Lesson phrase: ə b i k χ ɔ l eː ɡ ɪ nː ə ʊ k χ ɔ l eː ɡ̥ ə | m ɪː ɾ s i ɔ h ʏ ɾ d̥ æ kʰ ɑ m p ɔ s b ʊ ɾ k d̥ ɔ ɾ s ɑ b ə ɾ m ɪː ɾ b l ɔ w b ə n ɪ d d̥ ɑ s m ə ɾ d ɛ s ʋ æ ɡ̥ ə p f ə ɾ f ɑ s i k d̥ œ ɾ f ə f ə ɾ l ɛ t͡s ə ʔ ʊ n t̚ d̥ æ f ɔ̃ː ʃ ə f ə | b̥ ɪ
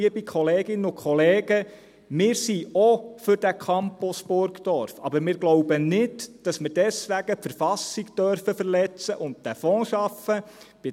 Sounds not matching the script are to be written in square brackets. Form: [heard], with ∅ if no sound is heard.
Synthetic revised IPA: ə b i k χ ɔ l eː ɡ ɪ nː ə ʊ k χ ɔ l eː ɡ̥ ə | m ɪː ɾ s i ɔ [f] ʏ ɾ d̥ æ kʰ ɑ m p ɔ s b ʊ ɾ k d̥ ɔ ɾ [f] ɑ b ə ɾ m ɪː ɾ [ɡ] l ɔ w b ə n ɪ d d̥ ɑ s m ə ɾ d ɛ s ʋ æ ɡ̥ ə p f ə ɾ f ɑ s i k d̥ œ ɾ f ə f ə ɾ l ɛ t͡s ə ʔ ʊ n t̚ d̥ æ f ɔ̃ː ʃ [ɑ] f ə | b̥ ɪ